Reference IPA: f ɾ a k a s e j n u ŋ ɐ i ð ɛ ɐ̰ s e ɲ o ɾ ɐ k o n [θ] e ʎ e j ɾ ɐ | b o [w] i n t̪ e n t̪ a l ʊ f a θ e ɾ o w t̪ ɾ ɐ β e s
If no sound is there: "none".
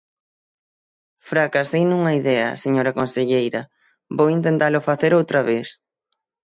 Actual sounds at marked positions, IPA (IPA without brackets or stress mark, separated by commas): s, w